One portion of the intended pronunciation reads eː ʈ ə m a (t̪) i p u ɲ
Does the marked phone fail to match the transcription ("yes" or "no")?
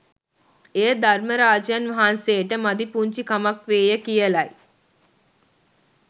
yes